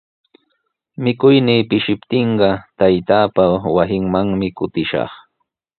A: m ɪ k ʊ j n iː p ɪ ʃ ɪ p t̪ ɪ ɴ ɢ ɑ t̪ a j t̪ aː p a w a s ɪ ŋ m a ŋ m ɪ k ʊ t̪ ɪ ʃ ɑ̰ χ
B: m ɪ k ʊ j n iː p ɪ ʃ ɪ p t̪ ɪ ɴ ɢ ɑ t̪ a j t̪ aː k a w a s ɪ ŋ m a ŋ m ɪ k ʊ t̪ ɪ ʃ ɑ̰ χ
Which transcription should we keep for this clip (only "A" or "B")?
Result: A